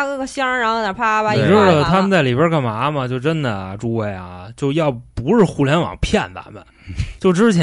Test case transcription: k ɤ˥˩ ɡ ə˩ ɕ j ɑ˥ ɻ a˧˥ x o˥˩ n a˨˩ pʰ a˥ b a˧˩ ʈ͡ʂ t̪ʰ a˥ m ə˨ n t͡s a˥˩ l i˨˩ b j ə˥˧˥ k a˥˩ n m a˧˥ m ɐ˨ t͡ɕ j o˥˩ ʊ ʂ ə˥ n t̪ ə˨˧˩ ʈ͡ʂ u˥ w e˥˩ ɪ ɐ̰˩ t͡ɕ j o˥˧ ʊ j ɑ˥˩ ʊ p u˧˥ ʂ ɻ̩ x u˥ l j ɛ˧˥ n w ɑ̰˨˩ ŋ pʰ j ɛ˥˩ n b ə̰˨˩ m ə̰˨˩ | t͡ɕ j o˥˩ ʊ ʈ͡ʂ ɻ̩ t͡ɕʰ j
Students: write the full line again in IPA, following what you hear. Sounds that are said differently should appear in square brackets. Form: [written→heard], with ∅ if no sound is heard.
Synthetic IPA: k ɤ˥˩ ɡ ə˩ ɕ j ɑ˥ ɻ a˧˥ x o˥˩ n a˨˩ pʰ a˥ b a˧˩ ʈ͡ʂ t̪ʰ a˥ m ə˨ n t͡s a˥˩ l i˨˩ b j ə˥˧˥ k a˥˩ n m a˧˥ m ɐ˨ t͡ɕ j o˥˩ ʊ [ʂ→ʈ͡ʂ] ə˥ n [t̪→d̪] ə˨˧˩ ʈ͡ʂ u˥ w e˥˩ ɪ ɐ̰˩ t͡ɕ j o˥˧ ʊ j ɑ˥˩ ʊ p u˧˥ ʂ ɻ̩ x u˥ l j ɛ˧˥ n w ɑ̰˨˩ ŋ pʰ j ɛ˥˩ n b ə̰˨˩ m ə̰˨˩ | t͡ɕ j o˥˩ ʊ ʈ͡ʂ ɻ̩ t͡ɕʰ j